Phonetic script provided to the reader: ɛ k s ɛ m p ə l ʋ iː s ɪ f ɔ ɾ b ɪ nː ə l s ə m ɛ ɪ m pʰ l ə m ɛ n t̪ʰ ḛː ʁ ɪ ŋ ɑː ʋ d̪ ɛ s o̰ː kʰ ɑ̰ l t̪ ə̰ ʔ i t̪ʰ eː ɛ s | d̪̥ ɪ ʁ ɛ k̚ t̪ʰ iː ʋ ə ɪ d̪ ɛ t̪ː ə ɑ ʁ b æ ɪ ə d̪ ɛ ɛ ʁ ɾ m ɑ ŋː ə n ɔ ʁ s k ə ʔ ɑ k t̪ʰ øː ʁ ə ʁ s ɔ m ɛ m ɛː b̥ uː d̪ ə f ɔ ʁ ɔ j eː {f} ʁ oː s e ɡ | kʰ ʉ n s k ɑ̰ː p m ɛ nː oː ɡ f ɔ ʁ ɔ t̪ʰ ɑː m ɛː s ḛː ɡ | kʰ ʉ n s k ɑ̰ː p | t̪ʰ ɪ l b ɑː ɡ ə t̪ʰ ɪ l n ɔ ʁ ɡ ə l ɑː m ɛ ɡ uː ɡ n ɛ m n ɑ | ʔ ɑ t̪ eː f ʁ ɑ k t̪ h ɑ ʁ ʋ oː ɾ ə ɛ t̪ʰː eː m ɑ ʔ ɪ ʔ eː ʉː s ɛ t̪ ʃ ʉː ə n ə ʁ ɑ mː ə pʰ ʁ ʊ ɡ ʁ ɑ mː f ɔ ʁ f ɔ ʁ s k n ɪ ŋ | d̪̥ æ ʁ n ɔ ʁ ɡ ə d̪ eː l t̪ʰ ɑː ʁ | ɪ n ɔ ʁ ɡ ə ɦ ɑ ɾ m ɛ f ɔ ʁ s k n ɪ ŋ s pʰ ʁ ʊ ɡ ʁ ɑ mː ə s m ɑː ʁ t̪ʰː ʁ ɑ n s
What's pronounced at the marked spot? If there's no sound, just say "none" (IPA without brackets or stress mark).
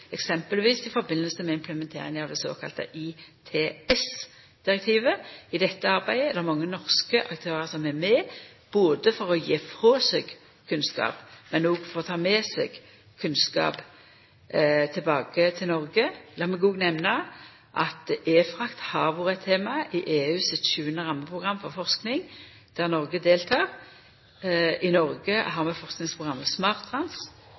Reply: f